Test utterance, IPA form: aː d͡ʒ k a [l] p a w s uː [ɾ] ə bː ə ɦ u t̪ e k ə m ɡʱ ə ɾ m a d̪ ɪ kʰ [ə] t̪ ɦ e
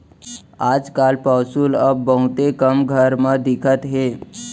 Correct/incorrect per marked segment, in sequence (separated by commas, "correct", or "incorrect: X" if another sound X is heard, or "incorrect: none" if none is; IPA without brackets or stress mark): correct, incorrect: l, correct